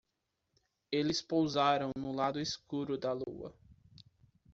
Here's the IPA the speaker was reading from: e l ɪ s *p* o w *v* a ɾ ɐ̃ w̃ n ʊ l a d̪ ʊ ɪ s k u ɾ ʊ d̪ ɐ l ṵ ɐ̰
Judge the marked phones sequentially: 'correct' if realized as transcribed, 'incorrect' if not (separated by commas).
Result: correct, incorrect